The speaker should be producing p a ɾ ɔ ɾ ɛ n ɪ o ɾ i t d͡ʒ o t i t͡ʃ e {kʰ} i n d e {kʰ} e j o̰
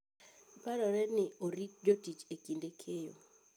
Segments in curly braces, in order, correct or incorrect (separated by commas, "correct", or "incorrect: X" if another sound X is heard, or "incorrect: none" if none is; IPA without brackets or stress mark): incorrect: k, correct